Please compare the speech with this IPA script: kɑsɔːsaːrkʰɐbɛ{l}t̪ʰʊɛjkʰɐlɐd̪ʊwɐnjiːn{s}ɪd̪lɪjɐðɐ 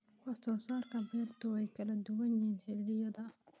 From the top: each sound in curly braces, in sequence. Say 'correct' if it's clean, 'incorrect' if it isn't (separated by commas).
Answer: incorrect, incorrect